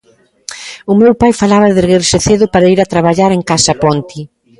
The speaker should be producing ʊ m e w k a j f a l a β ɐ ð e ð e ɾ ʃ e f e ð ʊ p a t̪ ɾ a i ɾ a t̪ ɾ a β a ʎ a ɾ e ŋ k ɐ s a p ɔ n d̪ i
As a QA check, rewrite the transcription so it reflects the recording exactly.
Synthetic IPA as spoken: ʊ m e w p a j f a l a β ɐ ð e ɣ e ɾ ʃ e θ e ð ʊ p a ɾ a i ɾ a t̪ ɾ a β a ʎ a ɾ e ŋ k a s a p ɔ n t̪ i